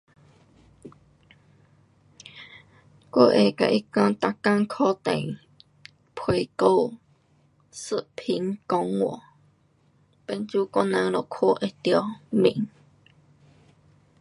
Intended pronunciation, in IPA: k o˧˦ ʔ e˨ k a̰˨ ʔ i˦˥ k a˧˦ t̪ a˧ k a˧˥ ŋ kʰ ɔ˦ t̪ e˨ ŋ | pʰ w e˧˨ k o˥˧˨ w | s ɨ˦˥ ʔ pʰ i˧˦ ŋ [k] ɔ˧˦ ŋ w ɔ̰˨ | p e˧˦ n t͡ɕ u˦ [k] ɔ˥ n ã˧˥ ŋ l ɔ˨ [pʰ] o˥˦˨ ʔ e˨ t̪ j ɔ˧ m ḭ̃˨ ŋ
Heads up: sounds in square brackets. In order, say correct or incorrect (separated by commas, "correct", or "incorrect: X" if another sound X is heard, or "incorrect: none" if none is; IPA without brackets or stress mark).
correct, correct, incorrect: kʰ